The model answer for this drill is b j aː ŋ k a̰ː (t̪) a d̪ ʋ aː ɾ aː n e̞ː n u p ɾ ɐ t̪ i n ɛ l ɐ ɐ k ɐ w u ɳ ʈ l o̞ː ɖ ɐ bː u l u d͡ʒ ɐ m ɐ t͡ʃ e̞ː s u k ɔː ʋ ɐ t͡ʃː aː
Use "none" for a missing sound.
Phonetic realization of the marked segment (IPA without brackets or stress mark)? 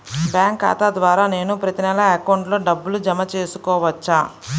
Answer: t̪